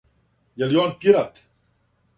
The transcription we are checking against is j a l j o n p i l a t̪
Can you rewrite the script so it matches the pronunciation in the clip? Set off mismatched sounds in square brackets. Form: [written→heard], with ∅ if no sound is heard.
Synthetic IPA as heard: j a l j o n p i [l→ɾ] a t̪